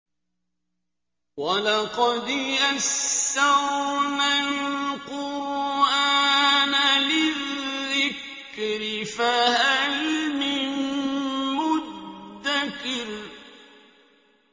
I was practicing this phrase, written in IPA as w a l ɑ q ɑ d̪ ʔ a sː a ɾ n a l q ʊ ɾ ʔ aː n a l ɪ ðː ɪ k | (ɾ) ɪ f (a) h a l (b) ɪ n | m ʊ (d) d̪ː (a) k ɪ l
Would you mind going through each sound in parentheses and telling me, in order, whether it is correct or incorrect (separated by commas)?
correct, correct, incorrect, correct, correct